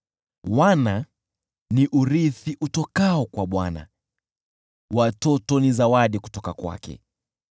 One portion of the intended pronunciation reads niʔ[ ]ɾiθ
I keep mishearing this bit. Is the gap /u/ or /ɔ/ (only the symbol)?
u